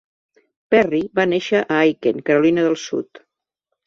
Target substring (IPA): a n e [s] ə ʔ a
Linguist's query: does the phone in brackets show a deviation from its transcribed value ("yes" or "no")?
yes